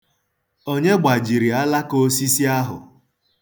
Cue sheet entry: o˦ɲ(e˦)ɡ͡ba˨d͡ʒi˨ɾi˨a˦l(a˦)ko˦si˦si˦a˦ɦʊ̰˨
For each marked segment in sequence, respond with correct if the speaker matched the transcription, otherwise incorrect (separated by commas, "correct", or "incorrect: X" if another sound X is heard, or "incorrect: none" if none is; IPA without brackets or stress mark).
correct, correct